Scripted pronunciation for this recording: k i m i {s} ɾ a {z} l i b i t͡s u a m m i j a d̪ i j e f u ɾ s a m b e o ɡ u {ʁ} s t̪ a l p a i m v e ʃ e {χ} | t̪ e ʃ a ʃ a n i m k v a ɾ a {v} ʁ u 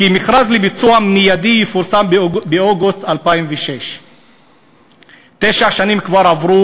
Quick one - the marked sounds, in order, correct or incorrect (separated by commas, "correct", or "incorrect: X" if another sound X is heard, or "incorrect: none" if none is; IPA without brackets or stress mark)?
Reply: incorrect: χ, correct, incorrect: none, incorrect: ʃ, correct